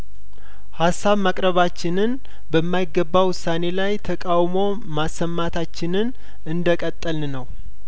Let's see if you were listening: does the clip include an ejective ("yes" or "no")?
yes